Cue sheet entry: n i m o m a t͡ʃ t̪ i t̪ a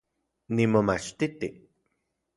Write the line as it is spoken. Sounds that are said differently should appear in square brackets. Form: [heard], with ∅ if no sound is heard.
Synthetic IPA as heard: n i m o m a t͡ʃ t̪ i t̪ [i]